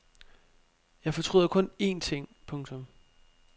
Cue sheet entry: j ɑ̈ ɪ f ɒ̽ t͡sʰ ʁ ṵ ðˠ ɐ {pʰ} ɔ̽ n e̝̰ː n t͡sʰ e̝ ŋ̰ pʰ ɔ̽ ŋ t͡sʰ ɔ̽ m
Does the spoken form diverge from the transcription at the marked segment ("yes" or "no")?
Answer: yes